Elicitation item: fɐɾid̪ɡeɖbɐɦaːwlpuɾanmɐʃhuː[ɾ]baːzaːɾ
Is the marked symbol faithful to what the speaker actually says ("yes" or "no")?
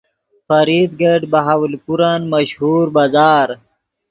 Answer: yes